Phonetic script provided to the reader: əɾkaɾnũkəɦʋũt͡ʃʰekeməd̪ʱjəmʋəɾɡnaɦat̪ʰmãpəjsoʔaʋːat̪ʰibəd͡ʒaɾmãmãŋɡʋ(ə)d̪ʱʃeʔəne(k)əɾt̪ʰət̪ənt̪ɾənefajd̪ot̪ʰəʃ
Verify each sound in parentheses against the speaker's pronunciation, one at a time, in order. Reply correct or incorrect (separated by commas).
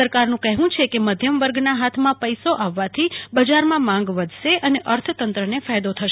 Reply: correct, incorrect